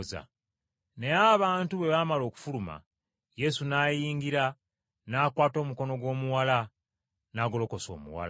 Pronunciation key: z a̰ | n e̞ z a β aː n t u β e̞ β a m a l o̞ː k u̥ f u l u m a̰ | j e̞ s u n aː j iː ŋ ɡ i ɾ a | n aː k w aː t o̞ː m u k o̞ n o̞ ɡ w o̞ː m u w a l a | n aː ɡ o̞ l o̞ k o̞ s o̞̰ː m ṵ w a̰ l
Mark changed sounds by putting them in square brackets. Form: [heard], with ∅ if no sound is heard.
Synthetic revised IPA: z a̰ | n e̞ [∅] a β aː n t u β e̞ β a m a l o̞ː k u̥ f u l u m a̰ | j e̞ s u n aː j iː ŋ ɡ i ɾ a | n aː k w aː t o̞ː m u k o̞ n o̞ ɡ w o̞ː m u w a l a | n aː ɡ o̞ l o̞ k o̞ s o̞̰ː m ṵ w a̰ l